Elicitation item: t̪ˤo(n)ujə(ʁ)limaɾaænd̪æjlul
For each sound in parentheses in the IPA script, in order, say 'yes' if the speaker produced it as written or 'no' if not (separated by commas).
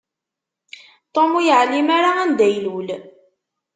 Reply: no, no